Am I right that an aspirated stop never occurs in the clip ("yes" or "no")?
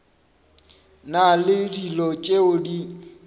yes